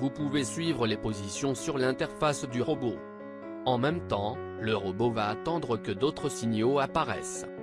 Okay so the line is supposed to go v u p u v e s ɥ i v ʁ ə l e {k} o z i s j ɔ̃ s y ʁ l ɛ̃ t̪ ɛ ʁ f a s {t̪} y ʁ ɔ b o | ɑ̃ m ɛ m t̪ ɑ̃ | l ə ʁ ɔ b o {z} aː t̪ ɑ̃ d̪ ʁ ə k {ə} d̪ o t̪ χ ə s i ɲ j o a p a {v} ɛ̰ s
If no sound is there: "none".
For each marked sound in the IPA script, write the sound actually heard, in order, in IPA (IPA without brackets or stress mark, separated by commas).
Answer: p, d̪, v, ə, ʁ